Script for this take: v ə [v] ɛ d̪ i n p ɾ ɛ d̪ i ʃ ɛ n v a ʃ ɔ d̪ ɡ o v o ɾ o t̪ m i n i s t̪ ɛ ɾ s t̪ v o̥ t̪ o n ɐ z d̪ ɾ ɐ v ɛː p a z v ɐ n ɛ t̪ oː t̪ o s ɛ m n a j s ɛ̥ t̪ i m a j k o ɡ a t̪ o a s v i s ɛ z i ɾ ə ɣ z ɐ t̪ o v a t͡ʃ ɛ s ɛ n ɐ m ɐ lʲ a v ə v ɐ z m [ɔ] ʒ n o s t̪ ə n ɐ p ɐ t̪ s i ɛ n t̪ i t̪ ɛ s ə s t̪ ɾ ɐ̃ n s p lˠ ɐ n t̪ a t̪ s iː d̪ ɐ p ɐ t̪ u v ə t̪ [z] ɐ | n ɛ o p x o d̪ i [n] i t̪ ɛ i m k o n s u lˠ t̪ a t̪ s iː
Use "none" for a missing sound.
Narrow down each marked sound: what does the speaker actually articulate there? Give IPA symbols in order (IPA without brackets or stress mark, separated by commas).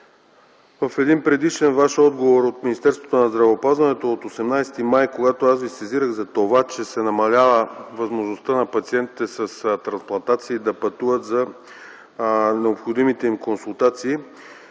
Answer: f, o, z, m